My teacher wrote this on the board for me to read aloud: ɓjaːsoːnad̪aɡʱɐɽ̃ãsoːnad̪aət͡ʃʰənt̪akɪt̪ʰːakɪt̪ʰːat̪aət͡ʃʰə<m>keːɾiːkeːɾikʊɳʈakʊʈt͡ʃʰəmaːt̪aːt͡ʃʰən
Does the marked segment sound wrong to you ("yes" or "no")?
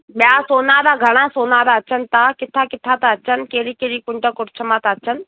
yes